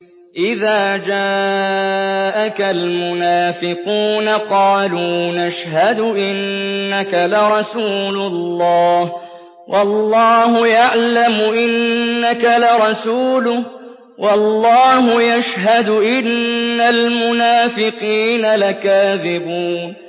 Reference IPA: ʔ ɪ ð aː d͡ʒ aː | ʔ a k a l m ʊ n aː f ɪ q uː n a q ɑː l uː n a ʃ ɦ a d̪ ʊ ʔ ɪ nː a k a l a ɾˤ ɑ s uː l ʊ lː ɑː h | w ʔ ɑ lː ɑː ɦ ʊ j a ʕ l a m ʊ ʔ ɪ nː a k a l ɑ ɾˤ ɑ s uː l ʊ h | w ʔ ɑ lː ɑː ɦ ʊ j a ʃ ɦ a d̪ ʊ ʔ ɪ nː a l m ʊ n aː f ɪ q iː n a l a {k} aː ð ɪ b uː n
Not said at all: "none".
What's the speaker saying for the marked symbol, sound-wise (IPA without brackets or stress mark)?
k